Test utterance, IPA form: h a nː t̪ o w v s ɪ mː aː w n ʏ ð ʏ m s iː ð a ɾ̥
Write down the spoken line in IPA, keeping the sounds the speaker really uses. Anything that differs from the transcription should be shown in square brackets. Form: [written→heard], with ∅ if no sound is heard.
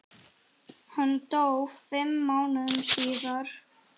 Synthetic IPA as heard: h a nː t̪ o w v [s→f] ɪ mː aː w n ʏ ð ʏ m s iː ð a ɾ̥